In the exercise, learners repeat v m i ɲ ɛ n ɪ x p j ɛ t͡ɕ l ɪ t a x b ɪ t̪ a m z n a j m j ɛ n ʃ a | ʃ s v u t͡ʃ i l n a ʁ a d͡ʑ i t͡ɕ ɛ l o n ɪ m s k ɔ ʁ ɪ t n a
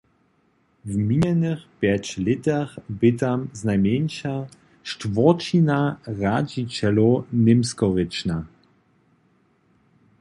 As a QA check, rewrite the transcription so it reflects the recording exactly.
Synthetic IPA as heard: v m i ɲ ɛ n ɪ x p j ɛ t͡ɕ l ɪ t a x b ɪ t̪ a m z n a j m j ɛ n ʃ a | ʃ t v ɔ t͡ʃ i n a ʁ a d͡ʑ i t͡ɕ ɛ l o n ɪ m s k ɔ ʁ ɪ t͡ʃ n a

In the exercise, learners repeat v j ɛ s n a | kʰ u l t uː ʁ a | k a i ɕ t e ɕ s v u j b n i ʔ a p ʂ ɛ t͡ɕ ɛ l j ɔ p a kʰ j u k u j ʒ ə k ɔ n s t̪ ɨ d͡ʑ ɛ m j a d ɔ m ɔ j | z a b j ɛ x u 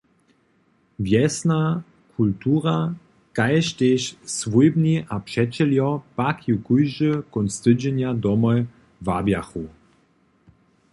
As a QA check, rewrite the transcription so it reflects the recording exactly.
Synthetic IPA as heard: v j ɛ s n a | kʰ u l t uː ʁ a | k a j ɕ t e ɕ s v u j b n i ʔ a p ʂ ɛ t͡ɕ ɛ l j ɔ p a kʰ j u k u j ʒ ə k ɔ n s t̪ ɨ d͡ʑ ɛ n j a d ɔ m ɔ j | v a b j a x u

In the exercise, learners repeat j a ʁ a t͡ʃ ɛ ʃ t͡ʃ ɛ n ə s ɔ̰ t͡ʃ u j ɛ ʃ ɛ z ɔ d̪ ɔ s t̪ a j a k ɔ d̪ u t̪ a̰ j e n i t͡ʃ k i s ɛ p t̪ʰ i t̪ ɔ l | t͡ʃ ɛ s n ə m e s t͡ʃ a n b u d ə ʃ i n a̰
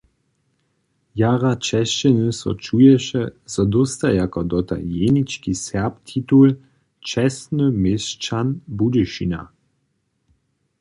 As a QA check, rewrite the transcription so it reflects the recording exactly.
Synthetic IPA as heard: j a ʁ a t͡ʃ ɛ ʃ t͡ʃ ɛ n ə s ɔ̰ t͡ʃ u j ɛ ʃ ɛ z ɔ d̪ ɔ s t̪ a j a k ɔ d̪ ɔ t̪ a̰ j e n i t͡ʃ k i s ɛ p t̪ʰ i t̪ u l | t͡ʃ ɛ s n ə m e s t͡ʃ a n b u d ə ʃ i n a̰

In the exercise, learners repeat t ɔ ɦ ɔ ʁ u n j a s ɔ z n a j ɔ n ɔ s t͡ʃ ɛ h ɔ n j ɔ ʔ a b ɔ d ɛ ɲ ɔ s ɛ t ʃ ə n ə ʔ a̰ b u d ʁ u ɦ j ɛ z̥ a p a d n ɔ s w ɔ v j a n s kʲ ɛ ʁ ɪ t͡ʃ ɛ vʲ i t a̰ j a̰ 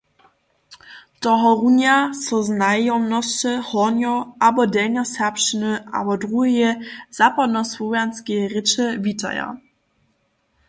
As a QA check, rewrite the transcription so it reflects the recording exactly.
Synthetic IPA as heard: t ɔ ɦ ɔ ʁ u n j a s ɔ z n a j ɔ n ɔ s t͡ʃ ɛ h ɔ n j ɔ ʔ a b ɔ d ɛ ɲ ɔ s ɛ p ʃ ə n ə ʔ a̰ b ɔ d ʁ u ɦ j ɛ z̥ a p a d n ɔ s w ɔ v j a n s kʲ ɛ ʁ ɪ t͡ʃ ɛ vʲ i t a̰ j a̰

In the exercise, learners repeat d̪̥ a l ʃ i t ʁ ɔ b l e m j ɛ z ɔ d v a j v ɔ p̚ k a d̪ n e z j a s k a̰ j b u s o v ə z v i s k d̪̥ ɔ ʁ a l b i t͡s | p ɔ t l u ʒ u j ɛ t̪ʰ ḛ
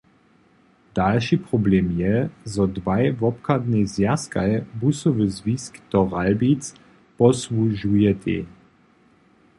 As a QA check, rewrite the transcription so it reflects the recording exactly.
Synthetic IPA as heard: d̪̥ a l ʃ i p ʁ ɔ b l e m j ɛ z ɔ d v a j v ɔ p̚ k a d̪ n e z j a s k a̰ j b u s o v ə z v i s k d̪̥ ɔ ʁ a l b i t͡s | p ɔ s l u ʒ u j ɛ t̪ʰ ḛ

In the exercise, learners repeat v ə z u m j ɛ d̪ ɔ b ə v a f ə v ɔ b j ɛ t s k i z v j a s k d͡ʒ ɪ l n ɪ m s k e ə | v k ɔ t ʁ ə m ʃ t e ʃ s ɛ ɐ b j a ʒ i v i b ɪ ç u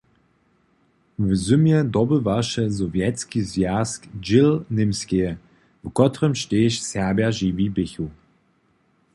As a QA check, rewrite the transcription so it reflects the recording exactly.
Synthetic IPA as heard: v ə z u m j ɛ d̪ ɔ b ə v a ʃ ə z ɔ v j ɛ t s k i z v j a s k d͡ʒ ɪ l n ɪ m s k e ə | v k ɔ t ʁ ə m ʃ t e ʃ s ɛ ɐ b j a ʒ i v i b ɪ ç u

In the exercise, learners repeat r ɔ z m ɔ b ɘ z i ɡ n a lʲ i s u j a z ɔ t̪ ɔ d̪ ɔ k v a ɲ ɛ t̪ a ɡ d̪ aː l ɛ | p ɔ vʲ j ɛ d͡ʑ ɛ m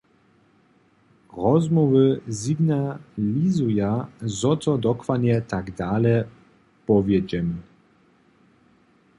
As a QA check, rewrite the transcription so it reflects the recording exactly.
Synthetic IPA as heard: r ɔ z m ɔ v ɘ z i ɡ n a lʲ i z u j a z ɔ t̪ ɔ d̪ ɔ k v a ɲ ɛ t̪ a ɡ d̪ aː l ɛ | p ɔ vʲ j ɛ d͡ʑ ɛ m

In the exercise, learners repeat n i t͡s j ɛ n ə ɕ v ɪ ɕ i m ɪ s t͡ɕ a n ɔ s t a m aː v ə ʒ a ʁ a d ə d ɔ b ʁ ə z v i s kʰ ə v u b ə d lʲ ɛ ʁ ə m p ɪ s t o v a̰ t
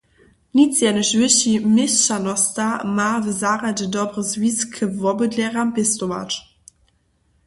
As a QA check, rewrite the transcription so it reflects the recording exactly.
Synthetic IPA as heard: n i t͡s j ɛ n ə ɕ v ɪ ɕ i m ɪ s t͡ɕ a n ɔ s t a m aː v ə z a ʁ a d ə d ɔ b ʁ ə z v i s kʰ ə v ɔ b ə d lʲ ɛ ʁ a m p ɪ s t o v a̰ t

